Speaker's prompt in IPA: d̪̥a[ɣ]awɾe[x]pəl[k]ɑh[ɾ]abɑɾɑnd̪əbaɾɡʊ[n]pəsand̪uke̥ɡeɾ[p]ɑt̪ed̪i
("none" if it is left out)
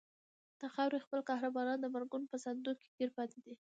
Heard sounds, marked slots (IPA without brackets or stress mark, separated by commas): x, x, k, ɾ, n, p